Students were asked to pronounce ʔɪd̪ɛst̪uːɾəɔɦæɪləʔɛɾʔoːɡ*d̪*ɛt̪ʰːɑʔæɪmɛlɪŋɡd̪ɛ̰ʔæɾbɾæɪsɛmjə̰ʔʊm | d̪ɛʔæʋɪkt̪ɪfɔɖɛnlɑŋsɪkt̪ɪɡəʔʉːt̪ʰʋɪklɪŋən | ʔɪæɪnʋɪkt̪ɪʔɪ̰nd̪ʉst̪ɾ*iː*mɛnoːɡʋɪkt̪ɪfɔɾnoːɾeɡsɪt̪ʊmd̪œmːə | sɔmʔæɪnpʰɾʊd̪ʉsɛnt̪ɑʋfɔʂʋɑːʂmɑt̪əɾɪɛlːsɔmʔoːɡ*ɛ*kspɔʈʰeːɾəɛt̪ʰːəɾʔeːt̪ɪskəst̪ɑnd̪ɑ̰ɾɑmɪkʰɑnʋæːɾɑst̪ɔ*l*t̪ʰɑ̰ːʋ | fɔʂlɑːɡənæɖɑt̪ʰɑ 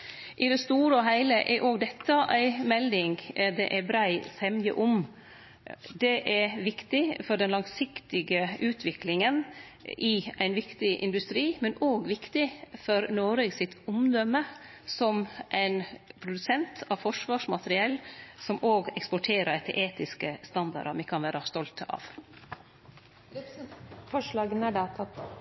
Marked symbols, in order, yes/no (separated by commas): yes, yes, yes, yes